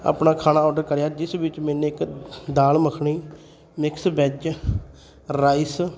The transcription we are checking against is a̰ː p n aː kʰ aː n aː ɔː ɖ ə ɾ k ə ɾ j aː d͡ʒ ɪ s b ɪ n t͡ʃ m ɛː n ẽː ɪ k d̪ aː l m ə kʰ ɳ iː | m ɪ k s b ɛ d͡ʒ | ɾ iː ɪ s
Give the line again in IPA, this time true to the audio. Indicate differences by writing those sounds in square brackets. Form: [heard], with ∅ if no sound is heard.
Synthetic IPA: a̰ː p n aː kʰ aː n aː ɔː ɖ ə ɾ k ə ɾ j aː d͡ʒ ɪ s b ɪ [∅] t͡ʃ m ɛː n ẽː ɪ k d̪ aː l m ə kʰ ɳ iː | m ɪ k s b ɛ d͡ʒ | ɾ [aː] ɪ s